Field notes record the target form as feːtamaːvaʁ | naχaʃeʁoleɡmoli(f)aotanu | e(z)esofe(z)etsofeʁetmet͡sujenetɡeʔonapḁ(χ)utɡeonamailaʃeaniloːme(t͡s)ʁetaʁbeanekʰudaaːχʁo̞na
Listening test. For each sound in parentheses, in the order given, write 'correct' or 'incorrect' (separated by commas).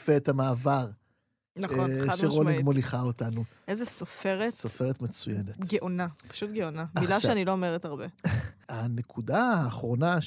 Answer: incorrect, correct, incorrect, incorrect, incorrect